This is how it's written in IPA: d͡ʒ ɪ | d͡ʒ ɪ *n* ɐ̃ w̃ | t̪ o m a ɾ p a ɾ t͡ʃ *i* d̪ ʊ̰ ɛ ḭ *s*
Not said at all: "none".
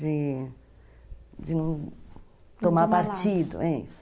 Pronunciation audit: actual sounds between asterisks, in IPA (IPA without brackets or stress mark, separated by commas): n, i, s